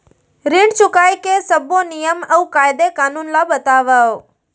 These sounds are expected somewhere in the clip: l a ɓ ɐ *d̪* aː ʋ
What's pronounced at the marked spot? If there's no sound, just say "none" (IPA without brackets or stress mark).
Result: t̪